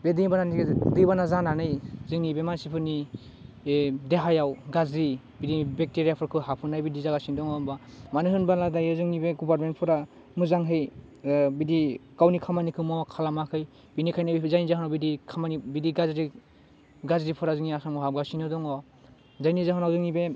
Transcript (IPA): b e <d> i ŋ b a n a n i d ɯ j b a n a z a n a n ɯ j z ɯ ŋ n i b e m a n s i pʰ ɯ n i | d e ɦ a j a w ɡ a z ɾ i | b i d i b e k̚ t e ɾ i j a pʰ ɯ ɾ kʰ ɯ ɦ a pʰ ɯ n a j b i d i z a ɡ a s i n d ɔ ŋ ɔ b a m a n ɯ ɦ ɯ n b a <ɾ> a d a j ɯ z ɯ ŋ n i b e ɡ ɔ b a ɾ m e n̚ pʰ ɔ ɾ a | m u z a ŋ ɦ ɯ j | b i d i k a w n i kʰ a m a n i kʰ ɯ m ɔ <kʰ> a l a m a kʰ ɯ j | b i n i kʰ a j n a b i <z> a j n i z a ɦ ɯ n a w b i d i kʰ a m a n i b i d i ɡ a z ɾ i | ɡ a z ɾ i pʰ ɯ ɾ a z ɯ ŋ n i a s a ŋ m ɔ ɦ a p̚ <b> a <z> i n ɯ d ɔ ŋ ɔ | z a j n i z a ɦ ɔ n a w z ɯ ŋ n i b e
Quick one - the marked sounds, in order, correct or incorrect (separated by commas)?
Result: correct, incorrect, correct, correct, incorrect, incorrect